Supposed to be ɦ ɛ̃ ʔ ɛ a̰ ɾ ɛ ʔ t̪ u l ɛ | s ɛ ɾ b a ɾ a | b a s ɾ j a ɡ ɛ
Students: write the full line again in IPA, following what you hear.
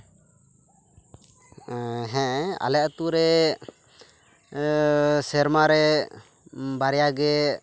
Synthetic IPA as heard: ɦ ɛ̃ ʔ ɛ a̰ l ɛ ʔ t̪ u ɾ ɛ | s ɛ ɾ m a ɾ ɛ | b a ɾ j a ɡ ɛ